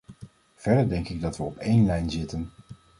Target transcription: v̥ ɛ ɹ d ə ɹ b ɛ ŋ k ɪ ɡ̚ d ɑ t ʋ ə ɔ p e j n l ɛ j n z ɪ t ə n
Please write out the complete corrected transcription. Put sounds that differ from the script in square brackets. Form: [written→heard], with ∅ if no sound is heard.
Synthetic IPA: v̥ ɛ ɹ d ə ɹ [b→d] ɛ ŋ k ɪ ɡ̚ d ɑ t ʋ ə ɔ p e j n l ɛ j n z ɪ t ə n